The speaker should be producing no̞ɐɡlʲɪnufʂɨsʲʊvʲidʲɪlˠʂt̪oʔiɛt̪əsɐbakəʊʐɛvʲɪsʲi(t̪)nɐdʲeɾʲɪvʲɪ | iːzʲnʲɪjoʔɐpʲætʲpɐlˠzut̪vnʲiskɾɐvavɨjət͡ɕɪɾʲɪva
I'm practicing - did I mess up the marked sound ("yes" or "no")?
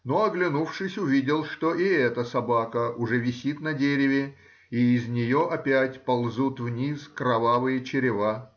no